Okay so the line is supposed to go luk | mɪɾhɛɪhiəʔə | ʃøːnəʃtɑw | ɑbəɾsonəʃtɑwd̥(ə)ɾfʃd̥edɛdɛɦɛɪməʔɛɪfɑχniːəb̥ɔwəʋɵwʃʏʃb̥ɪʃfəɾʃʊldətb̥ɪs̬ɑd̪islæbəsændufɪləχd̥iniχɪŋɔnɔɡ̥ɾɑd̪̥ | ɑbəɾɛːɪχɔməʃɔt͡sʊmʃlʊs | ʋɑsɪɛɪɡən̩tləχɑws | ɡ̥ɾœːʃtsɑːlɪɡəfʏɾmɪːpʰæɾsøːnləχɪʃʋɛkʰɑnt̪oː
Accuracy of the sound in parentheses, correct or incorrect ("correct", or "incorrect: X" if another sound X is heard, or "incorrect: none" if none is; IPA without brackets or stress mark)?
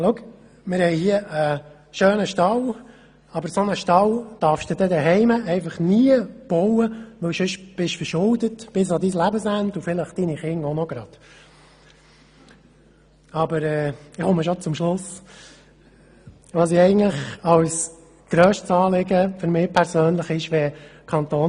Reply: incorrect: ɑ